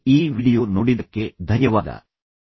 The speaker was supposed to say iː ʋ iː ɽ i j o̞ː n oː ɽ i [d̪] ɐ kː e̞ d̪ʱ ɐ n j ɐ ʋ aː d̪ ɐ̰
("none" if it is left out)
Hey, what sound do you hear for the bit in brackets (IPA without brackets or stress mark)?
d̪